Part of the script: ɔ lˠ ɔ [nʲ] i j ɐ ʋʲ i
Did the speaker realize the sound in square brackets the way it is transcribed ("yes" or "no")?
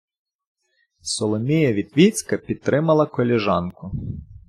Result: no